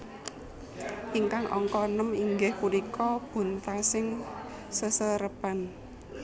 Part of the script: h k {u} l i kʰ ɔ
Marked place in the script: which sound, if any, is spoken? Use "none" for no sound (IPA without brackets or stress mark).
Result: u